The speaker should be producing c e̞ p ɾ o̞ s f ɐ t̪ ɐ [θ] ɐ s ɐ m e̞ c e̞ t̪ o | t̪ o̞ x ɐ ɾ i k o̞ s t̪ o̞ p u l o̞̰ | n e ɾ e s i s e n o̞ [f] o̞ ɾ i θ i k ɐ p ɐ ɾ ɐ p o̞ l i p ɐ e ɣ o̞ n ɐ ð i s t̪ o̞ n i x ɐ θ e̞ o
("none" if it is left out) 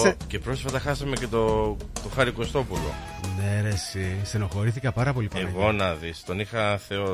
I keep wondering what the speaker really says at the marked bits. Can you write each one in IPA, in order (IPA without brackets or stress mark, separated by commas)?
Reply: x, x